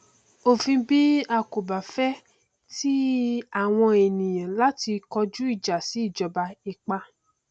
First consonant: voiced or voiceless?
voiceless